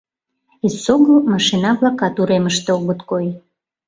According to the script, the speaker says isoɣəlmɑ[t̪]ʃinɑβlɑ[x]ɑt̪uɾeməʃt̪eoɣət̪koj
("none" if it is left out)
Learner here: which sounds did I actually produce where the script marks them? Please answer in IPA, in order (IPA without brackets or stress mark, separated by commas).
none, k